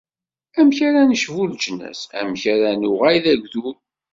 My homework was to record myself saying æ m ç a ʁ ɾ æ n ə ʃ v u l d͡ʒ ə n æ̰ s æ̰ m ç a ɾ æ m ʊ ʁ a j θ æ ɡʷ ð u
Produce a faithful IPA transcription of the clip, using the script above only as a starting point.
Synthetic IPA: æ m ç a ɾ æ n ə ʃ v u l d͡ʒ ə n æ̰ s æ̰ m ç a ɾ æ n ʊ ʁ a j ð æ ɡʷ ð u